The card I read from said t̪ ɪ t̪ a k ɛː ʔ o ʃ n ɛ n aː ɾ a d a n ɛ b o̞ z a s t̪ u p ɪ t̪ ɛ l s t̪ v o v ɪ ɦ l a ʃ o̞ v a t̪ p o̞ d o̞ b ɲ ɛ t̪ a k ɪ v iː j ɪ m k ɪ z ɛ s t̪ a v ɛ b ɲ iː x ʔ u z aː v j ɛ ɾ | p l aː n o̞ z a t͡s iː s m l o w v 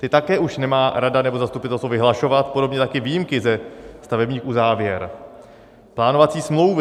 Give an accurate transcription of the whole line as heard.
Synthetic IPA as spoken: t̪ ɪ t̪ a k ɛː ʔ u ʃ n ɛ m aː ɾ a d a n ɛ b o̞ z a s t̪ u p ɪ t̪ ɛ l s t̪ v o v ɪ ɦ l a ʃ o̞ v a t̪ p o̞ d o̞ b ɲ ɛ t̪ a k ɪ v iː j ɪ m k ɪ z ɛ s t̪ a v ɛ b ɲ iː x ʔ u z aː v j ɛ ɾ | p l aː n o̞ v a t͡s iː s m l o w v